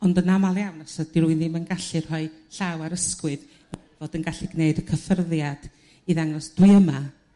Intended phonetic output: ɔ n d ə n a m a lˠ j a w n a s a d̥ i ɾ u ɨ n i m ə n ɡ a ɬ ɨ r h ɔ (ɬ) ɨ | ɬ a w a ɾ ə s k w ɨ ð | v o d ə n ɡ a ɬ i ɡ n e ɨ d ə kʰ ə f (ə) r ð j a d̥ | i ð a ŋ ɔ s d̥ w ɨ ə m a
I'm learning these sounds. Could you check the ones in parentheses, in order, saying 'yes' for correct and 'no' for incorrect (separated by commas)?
no, yes